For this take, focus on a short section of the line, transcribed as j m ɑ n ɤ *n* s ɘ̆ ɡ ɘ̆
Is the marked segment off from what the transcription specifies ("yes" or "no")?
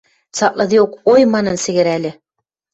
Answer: no